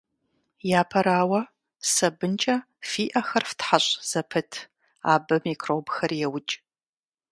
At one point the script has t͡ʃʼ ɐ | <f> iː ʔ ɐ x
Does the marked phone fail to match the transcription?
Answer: no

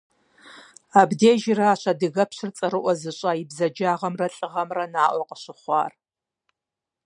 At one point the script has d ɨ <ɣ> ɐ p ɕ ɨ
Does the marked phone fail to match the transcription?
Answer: no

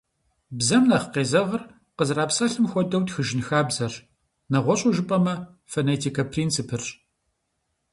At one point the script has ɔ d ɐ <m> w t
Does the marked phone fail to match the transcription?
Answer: yes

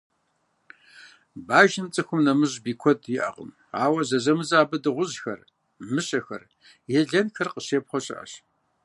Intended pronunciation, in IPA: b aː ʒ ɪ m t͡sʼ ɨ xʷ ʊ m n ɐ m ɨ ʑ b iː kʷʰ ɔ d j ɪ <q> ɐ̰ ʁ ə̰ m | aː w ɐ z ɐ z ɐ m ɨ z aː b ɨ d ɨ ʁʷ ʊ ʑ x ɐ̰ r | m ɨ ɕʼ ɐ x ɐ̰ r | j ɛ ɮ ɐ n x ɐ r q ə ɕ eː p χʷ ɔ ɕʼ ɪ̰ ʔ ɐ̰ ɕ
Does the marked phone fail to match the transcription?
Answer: yes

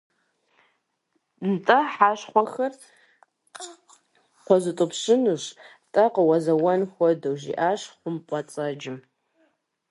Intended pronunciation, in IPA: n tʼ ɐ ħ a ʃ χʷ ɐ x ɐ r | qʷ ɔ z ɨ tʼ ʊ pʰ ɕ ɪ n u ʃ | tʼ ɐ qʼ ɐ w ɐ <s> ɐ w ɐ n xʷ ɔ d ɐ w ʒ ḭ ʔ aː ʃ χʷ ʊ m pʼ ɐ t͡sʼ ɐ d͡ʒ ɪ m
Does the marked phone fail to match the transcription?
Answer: yes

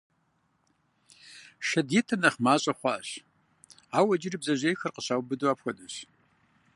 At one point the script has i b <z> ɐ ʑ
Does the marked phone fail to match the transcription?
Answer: no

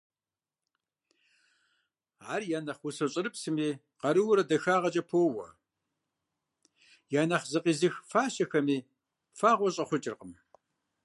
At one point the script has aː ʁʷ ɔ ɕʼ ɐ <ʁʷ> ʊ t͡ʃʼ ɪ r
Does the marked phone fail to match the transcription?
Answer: yes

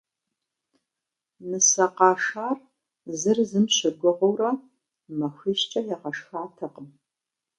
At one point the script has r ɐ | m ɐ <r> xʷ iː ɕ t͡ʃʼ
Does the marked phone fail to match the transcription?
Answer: yes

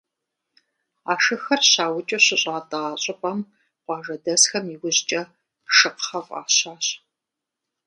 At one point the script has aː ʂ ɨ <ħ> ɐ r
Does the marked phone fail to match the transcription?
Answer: yes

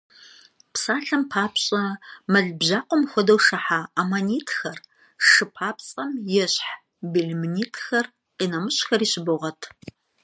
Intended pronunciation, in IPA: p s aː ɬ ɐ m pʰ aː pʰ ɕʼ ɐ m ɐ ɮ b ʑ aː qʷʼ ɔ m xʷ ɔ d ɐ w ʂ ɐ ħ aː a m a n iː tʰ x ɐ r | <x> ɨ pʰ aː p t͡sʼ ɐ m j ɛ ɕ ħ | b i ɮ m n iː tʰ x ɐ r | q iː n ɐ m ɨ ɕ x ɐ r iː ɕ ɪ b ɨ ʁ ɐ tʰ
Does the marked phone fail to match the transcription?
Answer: yes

